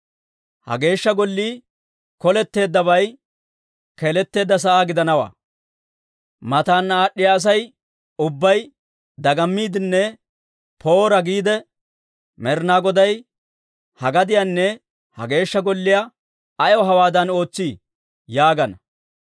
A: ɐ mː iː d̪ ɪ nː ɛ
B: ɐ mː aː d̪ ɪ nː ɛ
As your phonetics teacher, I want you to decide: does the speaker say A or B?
A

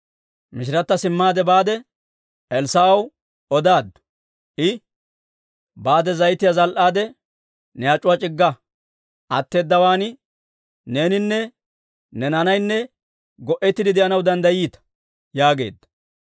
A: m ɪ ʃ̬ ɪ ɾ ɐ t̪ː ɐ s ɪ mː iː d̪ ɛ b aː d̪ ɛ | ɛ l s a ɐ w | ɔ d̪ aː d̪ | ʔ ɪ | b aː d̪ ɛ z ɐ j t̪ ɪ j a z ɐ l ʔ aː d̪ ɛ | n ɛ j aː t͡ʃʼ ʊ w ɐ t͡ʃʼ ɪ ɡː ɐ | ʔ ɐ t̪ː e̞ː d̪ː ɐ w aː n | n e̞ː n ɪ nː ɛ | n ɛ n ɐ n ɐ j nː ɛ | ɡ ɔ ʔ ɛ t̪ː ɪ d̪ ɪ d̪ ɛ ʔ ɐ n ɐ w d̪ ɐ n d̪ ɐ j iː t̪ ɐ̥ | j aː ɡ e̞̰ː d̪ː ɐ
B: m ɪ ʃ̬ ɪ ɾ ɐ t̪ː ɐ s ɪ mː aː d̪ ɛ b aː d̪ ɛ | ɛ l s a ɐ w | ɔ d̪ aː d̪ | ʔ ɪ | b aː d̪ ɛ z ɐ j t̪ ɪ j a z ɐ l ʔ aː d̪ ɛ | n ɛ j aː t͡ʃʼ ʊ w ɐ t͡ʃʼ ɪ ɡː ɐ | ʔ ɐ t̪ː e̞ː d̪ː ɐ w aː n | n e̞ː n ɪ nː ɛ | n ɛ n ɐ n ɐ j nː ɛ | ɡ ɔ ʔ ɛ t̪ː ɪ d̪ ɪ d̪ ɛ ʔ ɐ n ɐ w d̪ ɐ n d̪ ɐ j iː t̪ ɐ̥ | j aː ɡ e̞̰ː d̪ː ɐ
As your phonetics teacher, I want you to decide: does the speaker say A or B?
B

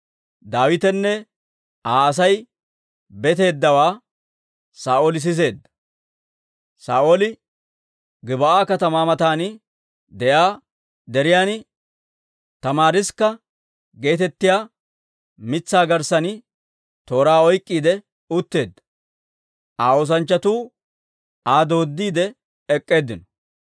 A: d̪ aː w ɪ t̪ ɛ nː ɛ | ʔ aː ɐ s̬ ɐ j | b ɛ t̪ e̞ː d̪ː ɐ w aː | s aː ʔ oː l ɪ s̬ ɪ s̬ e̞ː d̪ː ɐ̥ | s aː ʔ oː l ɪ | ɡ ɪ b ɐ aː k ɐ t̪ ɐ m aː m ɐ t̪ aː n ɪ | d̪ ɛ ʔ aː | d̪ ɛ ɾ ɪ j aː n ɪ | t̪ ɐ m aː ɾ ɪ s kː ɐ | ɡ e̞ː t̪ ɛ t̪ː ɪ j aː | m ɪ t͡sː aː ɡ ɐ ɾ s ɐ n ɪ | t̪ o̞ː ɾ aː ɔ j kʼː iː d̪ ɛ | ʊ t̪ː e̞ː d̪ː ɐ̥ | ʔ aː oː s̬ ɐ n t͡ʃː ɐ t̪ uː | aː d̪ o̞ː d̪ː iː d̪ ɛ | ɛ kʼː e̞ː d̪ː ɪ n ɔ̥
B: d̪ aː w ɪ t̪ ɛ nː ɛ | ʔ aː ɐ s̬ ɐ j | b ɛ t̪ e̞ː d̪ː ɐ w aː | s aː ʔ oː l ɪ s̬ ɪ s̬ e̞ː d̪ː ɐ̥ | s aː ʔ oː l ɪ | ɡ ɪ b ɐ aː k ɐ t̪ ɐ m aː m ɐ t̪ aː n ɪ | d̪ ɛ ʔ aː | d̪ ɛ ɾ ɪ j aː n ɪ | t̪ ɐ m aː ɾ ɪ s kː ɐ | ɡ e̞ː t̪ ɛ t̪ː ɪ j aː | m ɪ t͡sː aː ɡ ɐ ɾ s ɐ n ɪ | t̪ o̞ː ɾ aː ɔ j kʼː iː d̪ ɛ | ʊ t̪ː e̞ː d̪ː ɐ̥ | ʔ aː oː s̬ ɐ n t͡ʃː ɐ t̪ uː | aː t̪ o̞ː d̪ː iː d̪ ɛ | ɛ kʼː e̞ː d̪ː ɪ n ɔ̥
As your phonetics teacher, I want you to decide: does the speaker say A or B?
A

